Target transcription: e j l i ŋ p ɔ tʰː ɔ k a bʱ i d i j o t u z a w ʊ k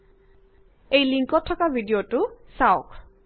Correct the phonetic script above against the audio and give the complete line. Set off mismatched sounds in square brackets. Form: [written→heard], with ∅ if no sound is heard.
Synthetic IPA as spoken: e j l i ŋ [p→k] ɔ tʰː ɔ k a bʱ i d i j o t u [z→s] a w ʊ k

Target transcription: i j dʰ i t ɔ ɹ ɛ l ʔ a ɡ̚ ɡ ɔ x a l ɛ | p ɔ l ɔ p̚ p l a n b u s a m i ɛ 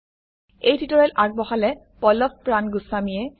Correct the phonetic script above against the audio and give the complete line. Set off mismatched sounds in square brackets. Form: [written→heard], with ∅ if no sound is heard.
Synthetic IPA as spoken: [i→e] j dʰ i t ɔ ɹ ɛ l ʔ a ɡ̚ [ɡ→b] ɔ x a l ɛ | p ɔ l ɔ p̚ p [l→ɹ] a n [b→ɡ] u s a m i ɛ

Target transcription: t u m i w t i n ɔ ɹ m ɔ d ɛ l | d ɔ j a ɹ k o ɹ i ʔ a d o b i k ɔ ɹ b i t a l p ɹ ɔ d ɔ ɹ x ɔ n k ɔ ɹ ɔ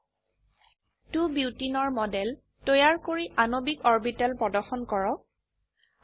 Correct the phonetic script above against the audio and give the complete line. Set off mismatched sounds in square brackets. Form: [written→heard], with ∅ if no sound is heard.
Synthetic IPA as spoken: t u [m→b] i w t i n ɔ ɹ m ɔ d ɛ l | [d→t] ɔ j a ɹ k o ɹ i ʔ a [d→n] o b i k ɔ ɹ b i t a l p ɹ ɔ d ɔ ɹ x ɔ n k ɔ ɹ ɔ

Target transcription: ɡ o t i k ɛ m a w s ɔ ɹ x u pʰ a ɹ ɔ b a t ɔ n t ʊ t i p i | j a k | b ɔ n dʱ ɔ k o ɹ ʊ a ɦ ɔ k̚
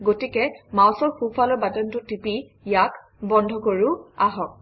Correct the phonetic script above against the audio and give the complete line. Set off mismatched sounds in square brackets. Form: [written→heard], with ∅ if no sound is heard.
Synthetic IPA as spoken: ɡ o t i k ɛ m a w s ɔ ɹ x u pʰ a [ɹ→l] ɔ b a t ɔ n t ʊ t i p i | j a k | b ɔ n dʱ ɔ k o ɹ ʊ a ɦ ɔ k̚

